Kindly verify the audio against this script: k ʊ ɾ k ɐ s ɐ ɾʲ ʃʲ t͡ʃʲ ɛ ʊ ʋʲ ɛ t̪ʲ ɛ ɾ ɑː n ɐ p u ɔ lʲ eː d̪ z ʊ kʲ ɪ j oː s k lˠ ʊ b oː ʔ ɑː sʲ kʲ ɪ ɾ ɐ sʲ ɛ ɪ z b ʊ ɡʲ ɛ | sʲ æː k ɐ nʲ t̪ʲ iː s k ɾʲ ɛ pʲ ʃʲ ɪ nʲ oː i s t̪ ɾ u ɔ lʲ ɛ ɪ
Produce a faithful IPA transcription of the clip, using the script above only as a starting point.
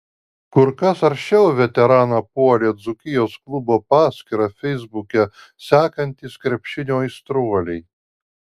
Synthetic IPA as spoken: k ʊ ɾ k ɐ s ɐ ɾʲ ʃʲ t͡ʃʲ ɛ ʊ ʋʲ ɛ t̪ʲ ɛ ɾ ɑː n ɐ p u ɔ lʲ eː d̪ z ʊ kʲ ɪ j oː s k lˠ ʊ b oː p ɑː sʲ kʲ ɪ ɾ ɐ fʲ ɛ ɪ z b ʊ kʲ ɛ | sʲ æː k ɐ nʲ t̪ʲ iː s k ɾʲ ɛ pʲ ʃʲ ɪ nʲ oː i s t̪ ɾ u ɔ lʲ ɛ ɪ